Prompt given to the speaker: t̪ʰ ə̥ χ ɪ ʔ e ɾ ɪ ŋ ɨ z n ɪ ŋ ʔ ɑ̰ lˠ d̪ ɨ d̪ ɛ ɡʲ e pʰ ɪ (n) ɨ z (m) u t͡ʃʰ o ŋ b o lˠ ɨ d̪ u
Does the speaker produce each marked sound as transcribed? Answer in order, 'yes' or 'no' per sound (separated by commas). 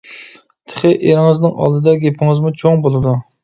no, yes